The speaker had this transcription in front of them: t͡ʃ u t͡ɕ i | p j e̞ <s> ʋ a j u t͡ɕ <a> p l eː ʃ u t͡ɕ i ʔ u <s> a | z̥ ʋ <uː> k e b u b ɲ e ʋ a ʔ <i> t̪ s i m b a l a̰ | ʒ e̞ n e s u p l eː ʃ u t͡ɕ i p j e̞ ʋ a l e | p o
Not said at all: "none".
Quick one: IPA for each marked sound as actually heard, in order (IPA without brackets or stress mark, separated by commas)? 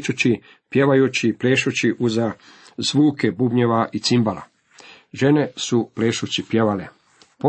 none, i, z, uː, i